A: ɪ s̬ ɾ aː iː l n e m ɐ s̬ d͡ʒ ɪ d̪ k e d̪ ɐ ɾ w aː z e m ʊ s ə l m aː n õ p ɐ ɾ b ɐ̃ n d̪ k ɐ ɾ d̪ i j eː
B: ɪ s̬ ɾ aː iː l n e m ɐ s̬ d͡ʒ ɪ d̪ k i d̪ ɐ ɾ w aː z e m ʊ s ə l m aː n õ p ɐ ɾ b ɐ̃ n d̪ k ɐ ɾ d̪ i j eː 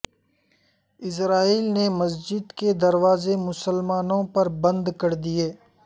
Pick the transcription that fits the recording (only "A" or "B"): A